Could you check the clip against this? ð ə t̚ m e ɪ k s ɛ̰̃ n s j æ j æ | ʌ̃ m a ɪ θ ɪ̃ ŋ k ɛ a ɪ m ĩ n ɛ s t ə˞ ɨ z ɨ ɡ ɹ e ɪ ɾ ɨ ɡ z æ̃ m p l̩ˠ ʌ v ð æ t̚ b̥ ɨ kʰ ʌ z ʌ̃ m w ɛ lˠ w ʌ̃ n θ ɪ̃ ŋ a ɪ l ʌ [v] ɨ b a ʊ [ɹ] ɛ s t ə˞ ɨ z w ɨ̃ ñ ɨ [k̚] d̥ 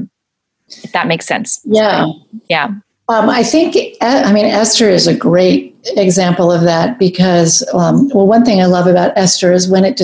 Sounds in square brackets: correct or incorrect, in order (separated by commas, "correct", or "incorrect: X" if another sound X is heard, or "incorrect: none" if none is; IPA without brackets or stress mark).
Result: correct, incorrect: ɾ, incorrect: t̚